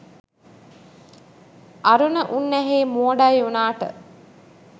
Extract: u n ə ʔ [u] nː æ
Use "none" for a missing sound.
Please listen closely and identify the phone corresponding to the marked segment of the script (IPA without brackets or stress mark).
u